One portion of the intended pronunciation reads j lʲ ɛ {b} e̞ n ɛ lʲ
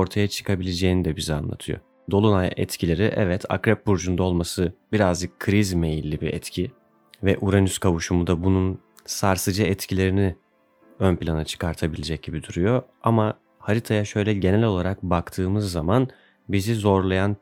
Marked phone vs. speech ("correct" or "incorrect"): incorrect